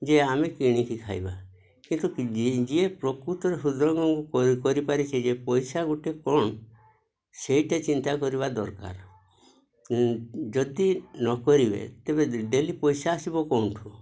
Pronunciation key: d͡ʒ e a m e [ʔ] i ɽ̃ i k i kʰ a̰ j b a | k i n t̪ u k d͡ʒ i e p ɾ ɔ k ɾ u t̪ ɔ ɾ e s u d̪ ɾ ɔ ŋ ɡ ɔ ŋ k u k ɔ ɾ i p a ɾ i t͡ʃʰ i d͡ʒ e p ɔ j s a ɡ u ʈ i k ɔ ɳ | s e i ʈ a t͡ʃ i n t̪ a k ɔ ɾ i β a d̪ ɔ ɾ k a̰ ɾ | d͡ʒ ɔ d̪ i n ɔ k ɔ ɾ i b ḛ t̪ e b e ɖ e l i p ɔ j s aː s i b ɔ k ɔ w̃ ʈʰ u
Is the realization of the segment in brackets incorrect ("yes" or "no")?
yes